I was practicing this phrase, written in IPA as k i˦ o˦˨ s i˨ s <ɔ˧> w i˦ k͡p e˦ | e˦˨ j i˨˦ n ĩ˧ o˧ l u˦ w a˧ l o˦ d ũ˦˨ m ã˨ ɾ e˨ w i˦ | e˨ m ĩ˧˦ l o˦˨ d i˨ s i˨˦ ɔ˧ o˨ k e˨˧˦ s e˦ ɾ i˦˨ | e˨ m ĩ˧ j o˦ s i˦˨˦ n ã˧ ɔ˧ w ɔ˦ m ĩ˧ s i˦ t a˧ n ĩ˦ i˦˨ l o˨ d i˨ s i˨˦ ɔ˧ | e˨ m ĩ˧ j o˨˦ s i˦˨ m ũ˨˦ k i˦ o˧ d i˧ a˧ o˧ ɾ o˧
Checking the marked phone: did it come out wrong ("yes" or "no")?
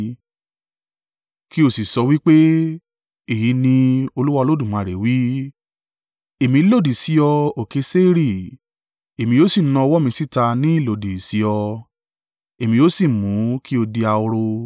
no